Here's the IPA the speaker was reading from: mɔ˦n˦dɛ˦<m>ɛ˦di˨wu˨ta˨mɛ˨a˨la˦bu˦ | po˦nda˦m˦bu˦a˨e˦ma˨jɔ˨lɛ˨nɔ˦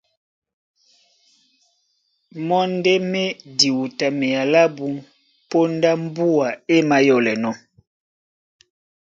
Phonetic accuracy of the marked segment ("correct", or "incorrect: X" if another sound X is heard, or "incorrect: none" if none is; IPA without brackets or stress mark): correct